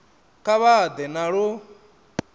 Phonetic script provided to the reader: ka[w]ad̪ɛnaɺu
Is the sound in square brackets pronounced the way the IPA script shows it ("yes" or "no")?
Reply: no